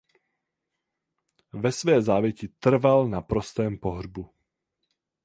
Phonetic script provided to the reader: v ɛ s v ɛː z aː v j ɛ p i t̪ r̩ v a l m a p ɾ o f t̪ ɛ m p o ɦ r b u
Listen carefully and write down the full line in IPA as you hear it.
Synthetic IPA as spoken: v ɛ s v ɛː z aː v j ɛ c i t̪ r̩ v a l n a p ɾ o s t̪ ɛː m p o ɦ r b u